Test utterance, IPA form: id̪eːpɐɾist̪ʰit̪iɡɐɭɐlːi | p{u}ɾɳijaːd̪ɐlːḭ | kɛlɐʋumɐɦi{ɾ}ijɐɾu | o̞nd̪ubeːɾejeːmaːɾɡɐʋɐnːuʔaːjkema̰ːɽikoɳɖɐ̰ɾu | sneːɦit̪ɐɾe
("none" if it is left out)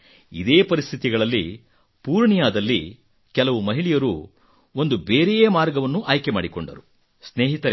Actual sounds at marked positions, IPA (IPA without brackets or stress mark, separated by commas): uː, ɭ